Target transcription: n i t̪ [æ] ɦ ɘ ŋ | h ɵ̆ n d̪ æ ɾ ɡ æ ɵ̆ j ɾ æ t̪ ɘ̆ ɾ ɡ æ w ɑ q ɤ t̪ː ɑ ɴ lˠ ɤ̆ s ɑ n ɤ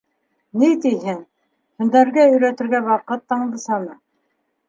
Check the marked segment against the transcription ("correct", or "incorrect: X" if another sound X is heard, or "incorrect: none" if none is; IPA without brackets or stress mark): incorrect: i